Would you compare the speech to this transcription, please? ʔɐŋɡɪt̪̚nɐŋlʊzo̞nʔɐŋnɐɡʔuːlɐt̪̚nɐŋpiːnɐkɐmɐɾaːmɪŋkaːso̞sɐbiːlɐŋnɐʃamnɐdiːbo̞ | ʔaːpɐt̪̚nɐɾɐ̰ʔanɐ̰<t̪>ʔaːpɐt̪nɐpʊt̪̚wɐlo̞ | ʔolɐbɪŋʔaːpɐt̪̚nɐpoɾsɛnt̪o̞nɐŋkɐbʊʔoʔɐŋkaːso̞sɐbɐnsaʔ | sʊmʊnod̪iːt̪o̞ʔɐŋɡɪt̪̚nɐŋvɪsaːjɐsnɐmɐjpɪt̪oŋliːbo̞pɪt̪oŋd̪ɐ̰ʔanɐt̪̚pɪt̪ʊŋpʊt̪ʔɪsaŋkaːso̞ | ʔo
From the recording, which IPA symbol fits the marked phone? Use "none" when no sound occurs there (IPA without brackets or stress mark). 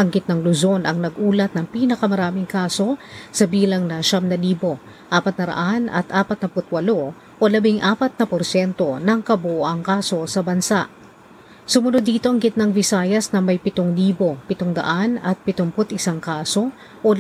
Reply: t̪